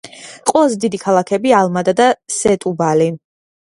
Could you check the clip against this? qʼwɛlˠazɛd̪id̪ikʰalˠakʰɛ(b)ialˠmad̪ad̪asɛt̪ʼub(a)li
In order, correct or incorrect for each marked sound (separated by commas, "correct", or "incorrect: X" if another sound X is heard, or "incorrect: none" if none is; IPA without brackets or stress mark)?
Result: correct, correct